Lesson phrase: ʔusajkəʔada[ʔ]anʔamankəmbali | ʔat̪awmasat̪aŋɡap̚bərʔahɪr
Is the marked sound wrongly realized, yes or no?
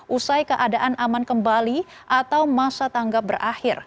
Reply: no